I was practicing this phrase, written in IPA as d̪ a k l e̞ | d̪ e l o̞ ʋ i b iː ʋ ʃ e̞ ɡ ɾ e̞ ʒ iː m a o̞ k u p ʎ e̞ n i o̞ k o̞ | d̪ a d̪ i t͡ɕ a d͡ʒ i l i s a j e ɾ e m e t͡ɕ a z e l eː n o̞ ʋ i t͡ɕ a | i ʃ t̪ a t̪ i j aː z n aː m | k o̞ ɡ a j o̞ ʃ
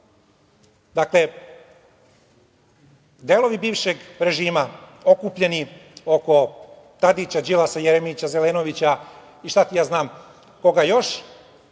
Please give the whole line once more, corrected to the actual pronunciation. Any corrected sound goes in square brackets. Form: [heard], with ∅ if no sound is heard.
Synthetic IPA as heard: d̪ a k l e̞ | d̪ e l o̞ ʋ i b iː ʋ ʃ e̞ ɡ ɾ e̞ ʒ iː m a o̞ k u p ʎ e̞ n i o̞ k o̞ | [t̪] a d̪ i t͡ɕ a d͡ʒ i l [a] s a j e ɾ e m [i] t͡ɕ a z e l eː n o̞ ʋ i t͡ɕ a | i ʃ t̪ a t̪ i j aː z n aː m | k o̞ ɡ a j o̞ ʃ